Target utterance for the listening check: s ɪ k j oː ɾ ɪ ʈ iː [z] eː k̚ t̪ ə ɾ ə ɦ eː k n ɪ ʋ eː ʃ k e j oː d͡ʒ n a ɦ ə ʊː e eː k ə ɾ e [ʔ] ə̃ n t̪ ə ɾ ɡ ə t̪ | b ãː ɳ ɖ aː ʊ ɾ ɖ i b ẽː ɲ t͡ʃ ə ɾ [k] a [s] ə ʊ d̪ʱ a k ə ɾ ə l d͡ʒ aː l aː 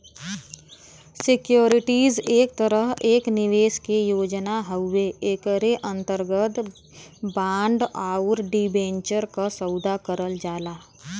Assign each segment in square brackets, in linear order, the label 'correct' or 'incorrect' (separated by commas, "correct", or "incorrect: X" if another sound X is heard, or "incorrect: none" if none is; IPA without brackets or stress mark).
correct, correct, correct, correct